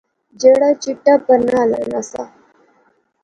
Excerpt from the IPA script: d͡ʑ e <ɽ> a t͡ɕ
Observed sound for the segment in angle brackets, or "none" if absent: ɽ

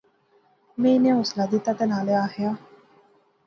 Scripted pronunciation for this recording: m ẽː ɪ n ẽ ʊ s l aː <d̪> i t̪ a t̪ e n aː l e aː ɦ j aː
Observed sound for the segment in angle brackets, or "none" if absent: d̪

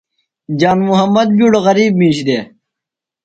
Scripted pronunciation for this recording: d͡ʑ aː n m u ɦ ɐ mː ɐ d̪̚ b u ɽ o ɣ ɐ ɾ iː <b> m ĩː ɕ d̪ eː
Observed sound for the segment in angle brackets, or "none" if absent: b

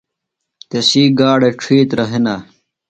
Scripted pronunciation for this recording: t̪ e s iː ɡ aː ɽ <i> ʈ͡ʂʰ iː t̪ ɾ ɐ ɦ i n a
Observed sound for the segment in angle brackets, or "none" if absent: e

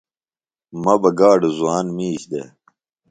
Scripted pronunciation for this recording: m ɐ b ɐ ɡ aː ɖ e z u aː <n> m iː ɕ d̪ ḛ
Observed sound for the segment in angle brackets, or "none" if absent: n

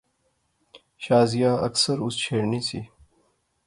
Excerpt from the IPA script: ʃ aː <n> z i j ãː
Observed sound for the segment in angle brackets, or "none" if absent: none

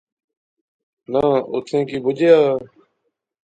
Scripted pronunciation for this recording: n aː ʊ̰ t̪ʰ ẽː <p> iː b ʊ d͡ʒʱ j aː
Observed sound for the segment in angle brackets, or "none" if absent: k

